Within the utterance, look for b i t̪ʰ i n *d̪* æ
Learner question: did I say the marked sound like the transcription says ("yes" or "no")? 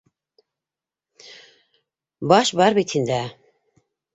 yes